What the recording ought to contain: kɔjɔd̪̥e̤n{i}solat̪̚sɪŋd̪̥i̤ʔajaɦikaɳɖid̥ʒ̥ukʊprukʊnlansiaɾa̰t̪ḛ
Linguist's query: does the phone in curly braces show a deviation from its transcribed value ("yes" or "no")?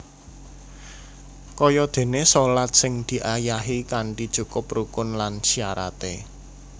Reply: yes